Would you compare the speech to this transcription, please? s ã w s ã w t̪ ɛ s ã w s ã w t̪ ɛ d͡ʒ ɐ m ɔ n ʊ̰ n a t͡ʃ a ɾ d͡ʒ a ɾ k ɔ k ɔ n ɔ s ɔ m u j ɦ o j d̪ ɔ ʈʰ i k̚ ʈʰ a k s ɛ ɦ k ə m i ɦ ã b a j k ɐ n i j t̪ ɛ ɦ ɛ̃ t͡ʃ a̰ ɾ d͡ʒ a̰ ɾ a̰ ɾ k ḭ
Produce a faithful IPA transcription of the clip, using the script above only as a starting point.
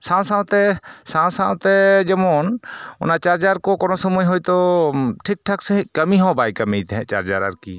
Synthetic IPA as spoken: s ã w s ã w t̪ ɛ s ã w s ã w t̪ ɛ d͡ʒ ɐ m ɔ n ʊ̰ n a t͡ʃ a ɾ d͡ʒ a ɾ k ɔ k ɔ n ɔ s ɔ m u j ɦ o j t̪ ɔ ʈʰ i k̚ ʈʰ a k s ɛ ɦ k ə m i ɦ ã b a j k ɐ m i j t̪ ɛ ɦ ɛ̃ t͡ʃ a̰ ɾ d͡ʒ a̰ ɾ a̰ ɾ k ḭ